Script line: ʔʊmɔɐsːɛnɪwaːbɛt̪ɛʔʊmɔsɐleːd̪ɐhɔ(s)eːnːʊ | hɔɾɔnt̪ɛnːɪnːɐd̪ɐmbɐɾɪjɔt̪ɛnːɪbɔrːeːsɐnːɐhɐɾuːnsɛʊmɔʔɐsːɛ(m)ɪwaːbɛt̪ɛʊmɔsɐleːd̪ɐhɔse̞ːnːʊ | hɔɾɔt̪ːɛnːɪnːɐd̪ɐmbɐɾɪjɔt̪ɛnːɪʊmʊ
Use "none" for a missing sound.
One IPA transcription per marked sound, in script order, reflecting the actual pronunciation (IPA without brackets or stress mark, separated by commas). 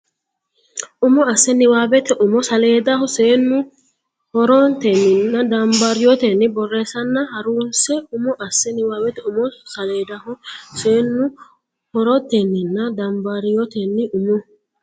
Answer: s, n